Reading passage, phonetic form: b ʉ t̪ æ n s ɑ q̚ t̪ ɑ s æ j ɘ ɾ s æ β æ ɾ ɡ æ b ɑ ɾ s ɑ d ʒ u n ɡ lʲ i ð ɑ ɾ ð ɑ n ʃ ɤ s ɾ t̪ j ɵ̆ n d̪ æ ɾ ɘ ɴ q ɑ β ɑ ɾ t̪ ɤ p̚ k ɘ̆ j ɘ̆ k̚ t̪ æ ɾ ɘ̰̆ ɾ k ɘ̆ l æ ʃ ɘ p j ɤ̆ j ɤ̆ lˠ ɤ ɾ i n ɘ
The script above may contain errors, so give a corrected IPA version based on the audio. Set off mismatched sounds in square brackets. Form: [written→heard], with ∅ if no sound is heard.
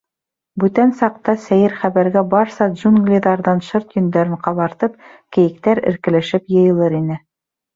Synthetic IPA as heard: b ʉ t̪ æ n s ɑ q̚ t̪ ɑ s æ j ɘ ɾ [s→χ] æ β æ ɾ ɡ æ b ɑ ɾ s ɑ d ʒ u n ɡ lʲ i ð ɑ ɾ ð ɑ n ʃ ɤ [s→∅] ɾ t̪ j ɵ̆ n d̪ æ ɾ ɘ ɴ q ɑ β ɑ ɾ t̪ ɤ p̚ k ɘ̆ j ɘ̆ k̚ t̪ æ ɾ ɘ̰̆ ɾ k ɘ̆ l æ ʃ ɘ p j ɤ̆ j ɤ̆ lˠ ɤ ɾ i n ɘ